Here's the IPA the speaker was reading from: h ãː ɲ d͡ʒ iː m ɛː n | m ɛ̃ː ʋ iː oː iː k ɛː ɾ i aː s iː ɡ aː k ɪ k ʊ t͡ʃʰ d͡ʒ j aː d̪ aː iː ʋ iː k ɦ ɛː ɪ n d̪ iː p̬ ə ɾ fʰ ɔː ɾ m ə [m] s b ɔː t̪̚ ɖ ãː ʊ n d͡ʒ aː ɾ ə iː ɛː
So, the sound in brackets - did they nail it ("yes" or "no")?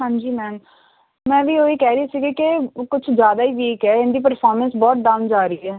no